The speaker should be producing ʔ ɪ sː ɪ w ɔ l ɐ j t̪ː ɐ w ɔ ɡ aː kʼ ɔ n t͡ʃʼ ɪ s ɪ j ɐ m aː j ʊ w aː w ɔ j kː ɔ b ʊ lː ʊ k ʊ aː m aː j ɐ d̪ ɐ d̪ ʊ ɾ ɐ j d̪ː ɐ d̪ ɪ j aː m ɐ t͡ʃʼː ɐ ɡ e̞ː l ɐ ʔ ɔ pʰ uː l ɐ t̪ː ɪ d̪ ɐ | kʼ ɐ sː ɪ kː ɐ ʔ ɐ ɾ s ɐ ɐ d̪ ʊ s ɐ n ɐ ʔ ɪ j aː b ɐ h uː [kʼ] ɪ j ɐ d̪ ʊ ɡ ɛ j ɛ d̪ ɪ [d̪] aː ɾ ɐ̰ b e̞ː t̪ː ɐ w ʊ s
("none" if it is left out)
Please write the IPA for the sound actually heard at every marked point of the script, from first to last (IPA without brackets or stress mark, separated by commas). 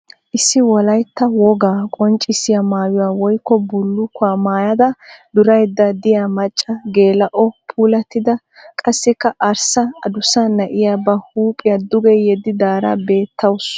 pʼ, d̪